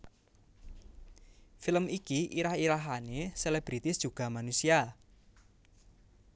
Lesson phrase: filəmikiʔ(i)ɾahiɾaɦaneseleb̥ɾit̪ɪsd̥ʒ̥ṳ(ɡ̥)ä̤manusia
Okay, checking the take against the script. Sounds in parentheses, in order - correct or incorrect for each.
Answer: correct, correct

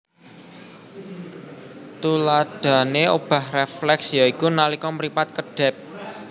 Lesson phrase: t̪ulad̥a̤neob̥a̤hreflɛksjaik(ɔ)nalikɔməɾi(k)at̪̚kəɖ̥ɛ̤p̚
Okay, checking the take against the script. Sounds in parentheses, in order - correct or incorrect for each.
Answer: incorrect, incorrect

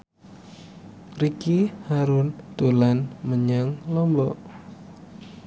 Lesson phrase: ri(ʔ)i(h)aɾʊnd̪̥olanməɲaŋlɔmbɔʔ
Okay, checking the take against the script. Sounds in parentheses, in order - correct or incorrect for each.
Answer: incorrect, correct

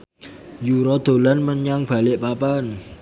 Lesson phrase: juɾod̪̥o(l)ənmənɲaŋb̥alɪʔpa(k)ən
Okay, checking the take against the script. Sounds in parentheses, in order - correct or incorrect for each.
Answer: correct, incorrect

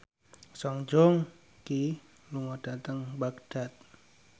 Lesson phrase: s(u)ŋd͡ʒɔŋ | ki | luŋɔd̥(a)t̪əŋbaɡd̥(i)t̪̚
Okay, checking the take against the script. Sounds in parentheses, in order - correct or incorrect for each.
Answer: incorrect, correct, incorrect

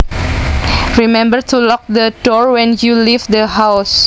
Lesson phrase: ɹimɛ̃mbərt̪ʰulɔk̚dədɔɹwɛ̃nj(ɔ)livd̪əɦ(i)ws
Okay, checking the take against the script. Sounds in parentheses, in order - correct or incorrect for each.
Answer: incorrect, incorrect

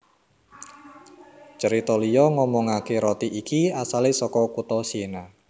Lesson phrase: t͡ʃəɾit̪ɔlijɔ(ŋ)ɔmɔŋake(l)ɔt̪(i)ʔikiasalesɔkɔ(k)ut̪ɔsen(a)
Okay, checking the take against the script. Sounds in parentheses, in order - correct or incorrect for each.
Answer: correct, incorrect, correct, correct, correct

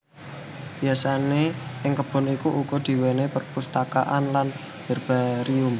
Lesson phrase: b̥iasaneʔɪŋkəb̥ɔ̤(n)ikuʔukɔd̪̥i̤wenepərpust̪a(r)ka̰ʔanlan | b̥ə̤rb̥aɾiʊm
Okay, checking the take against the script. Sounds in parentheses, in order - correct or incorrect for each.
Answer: correct, incorrect

